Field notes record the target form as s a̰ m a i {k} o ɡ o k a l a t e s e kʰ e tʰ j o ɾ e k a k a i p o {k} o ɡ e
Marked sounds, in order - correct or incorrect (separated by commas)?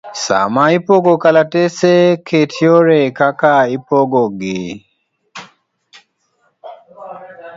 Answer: incorrect, incorrect